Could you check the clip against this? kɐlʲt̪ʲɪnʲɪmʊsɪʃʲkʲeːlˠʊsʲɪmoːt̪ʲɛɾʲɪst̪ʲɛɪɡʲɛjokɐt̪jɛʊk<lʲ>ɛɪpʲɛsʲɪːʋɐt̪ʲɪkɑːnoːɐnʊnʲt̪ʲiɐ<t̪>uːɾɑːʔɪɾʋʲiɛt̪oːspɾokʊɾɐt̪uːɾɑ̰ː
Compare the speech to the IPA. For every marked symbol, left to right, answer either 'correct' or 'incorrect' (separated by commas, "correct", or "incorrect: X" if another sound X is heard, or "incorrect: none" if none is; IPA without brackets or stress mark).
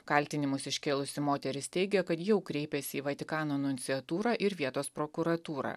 incorrect: ɾʲ, correct